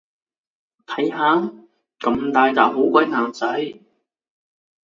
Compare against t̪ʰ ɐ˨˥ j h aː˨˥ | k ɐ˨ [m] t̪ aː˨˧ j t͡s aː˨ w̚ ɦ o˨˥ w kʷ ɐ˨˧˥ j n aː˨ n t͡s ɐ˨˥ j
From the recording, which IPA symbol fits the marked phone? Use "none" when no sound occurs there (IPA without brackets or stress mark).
m